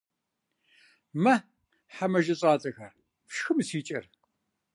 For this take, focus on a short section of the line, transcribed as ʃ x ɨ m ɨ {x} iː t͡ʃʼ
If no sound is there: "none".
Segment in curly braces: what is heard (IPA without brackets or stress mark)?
s